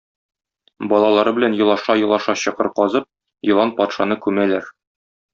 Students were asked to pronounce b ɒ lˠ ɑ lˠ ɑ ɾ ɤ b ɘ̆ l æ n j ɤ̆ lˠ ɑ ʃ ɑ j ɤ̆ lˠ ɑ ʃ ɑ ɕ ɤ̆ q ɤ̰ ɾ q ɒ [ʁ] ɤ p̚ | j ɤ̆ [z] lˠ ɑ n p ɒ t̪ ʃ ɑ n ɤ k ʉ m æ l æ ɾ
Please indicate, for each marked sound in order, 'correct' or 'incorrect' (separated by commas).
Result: incorrect, incorrect